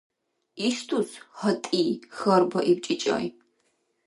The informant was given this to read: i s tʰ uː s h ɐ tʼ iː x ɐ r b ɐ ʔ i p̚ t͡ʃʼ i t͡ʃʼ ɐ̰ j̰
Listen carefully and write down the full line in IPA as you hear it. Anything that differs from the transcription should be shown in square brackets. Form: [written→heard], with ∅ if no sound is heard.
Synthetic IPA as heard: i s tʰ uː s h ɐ tʼ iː x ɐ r b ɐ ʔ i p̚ t͡ʃʼ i t͡ʃʼ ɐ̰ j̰